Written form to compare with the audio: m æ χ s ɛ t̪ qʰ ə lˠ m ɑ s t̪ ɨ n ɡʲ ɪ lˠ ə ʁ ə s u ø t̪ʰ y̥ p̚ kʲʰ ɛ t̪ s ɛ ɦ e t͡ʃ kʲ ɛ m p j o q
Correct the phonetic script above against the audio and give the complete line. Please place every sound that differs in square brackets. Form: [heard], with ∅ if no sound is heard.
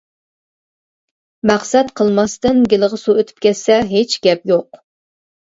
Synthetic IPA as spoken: m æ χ s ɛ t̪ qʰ ə lˠ m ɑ s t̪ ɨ n ɡʲ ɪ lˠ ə ʁ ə s u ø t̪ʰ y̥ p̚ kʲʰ ɛ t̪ s ɛ ɦ e t͡ʃ [ɡʲ] ɛ [∅] p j o q